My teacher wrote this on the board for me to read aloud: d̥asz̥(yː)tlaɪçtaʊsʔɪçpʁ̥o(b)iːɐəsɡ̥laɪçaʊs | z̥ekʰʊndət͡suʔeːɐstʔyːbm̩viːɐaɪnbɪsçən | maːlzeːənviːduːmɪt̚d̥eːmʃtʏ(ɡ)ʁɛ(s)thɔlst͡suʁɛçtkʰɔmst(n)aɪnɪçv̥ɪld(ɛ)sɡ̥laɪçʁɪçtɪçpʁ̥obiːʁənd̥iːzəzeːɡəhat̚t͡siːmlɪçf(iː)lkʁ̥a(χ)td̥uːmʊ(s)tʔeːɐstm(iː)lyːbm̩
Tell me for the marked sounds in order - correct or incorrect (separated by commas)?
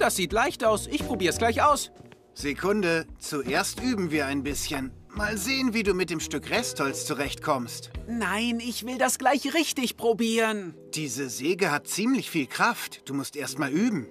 incorrect, correct, incorrect, correct, correct, incorrect, correct, incorrect, correct, incorrect